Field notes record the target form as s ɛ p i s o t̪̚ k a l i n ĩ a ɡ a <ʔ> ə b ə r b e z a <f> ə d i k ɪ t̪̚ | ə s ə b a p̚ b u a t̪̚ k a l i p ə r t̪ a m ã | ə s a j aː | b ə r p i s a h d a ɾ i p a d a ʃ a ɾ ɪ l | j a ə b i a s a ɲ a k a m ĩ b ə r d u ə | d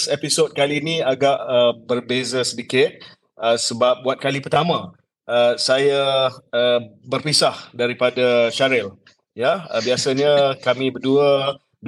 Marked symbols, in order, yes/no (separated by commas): yes, no